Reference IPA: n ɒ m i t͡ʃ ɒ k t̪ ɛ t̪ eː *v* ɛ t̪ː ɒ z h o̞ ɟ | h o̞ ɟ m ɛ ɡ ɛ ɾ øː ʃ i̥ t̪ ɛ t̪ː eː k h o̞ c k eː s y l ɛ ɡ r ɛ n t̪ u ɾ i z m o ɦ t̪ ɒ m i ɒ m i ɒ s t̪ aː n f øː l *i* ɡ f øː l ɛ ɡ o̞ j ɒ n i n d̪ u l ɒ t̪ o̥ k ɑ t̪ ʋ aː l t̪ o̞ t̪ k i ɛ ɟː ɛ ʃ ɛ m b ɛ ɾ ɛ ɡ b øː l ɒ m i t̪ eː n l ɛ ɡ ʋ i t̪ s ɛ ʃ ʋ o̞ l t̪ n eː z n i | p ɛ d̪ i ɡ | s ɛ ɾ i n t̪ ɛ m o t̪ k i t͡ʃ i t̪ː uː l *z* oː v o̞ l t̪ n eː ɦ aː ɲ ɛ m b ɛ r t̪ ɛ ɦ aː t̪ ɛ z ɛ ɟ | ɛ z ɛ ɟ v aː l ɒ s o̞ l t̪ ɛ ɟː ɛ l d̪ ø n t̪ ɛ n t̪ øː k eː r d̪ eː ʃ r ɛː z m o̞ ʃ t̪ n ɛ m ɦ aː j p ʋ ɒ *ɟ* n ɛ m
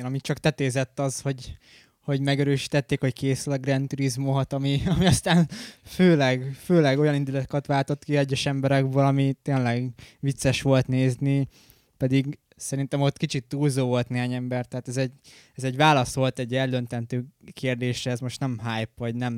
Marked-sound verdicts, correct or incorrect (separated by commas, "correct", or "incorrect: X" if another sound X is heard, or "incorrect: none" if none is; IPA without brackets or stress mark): incorrect: z, incorrect: ɛ, correct, correct